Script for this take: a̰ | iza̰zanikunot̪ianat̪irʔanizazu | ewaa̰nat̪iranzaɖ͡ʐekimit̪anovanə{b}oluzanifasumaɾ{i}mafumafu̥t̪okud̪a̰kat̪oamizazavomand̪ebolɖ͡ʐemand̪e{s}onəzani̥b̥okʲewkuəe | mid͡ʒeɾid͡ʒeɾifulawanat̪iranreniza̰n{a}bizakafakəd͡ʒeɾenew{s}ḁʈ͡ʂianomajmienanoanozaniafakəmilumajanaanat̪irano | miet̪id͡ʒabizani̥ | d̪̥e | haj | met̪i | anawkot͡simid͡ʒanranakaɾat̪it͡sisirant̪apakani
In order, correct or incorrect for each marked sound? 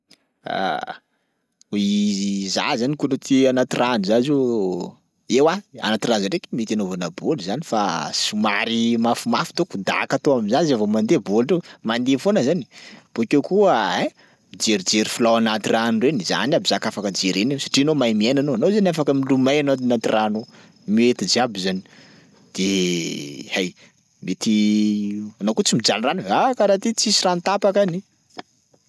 correct, correct, incorrect, correct, correct

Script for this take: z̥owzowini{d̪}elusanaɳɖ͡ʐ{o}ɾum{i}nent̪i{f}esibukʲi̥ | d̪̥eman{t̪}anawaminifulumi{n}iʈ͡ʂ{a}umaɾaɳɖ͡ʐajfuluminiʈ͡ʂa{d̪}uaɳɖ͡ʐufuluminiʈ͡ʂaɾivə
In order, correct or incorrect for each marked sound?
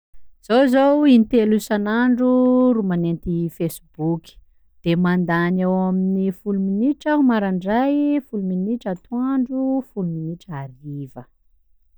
incorrect, incorrect, incorrect, correct, incorrect, correct, correct, incorrect

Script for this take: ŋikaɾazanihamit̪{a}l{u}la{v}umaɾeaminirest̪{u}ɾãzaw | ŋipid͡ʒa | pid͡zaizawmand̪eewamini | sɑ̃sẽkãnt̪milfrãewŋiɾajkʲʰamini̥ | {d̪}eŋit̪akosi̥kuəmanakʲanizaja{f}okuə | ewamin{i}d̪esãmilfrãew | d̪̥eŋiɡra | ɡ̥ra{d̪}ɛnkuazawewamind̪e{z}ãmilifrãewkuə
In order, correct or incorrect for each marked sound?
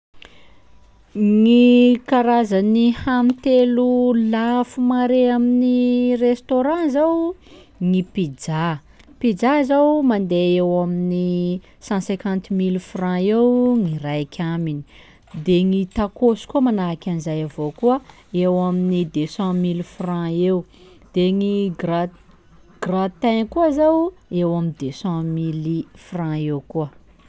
incorrect, correct, incorrect, incorrect, correct, incorrect, correct, incorrect, incorrect

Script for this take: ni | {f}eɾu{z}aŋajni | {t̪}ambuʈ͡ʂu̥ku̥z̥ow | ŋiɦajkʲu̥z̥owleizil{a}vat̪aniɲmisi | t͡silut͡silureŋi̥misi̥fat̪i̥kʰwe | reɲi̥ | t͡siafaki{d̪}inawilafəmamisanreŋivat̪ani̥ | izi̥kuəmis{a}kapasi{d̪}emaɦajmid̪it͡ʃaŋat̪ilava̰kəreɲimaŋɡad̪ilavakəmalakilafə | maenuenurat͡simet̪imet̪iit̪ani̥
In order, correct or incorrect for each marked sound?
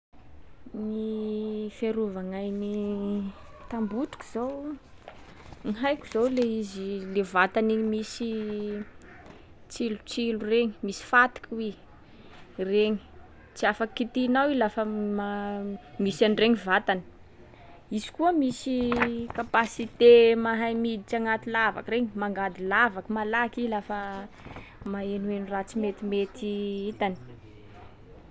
correct, incorrect, correct, incorrect, incorrect, incorrect, incorrect

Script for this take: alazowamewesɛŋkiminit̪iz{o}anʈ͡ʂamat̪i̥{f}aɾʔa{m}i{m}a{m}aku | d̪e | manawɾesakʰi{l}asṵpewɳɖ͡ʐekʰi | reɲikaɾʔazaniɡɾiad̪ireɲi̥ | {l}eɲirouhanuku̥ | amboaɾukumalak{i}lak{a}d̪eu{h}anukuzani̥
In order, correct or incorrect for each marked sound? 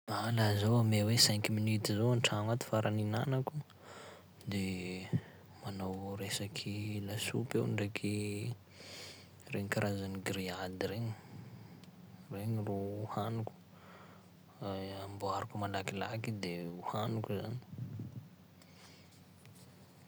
correct, correct, incorrect, incorrect, incorrect, correct, incorrect, correct, incorrect, correct

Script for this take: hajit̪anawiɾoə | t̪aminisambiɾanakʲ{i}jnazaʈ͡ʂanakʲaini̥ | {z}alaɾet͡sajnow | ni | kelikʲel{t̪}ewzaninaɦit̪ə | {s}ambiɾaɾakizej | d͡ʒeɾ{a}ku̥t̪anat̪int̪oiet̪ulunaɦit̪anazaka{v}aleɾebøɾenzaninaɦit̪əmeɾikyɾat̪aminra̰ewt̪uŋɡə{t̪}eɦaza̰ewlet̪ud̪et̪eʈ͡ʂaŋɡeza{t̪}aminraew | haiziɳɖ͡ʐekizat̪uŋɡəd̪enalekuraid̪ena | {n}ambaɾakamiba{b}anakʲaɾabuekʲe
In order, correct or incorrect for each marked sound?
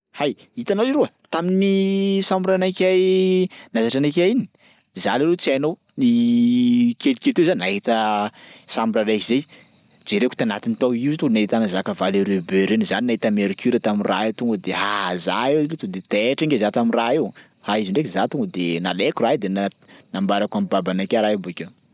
incorrect, correct, correct, correct, incorrect, correct, incorrect, correct, correct, correct

